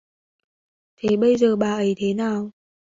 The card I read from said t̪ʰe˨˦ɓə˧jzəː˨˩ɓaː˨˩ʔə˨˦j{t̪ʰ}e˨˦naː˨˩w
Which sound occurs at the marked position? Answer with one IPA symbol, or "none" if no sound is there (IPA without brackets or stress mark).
t̪ʰ